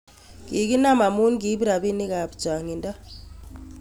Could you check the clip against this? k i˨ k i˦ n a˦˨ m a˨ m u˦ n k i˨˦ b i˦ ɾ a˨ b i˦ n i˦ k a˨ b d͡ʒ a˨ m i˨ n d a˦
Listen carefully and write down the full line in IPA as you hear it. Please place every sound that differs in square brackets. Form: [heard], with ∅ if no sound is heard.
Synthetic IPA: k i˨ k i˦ n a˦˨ m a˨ m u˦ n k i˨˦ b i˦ ɾ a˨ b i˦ n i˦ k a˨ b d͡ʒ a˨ [ŋ] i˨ n d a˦